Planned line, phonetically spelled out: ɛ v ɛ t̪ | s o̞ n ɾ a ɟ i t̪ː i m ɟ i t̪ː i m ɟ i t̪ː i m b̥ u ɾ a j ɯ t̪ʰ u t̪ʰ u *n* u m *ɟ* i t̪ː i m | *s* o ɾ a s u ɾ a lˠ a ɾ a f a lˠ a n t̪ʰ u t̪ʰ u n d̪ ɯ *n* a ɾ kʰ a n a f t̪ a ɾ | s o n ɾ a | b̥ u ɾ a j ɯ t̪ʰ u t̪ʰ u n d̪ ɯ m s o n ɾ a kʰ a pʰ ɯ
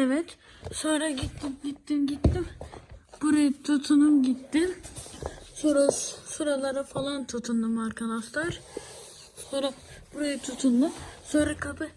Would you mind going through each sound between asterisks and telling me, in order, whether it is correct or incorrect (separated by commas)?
correct, correct, correct, incorrect